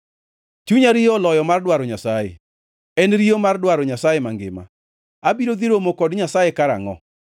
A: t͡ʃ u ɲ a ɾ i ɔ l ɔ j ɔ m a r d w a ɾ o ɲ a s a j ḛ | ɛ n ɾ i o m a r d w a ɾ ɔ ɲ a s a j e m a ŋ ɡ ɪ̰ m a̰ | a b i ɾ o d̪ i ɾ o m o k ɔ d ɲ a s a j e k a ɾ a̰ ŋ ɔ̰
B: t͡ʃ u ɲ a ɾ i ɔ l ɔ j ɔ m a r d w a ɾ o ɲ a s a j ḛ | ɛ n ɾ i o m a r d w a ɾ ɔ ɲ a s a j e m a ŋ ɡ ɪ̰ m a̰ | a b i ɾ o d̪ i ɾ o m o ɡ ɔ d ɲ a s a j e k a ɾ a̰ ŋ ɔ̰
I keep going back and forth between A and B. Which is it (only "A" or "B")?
A